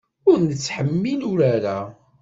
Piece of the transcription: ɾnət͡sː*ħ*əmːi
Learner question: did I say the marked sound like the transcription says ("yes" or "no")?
yes